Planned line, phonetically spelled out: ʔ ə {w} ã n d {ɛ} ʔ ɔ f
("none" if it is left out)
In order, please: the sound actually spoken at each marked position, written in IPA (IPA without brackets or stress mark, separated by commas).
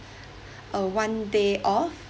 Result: w, e